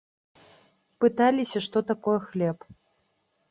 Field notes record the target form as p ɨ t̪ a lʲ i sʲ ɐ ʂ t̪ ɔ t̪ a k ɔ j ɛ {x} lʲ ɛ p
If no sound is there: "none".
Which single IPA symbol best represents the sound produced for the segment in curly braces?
x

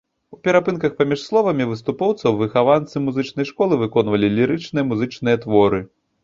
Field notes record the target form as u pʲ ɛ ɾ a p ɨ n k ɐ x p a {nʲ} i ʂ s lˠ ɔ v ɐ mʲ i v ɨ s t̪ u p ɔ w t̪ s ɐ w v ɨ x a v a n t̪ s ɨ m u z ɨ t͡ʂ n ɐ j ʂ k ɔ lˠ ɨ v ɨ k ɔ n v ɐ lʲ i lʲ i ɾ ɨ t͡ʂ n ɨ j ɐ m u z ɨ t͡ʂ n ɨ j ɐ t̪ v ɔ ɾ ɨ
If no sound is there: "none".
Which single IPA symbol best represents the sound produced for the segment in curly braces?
mʲ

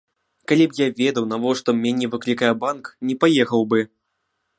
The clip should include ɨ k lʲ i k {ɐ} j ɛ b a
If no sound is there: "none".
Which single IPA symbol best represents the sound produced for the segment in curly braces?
a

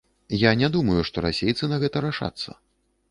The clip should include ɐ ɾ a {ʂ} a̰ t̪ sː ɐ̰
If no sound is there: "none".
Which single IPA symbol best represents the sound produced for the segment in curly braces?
ʂ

